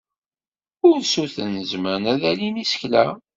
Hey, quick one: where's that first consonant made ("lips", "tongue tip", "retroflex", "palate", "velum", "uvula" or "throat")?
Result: tongue tip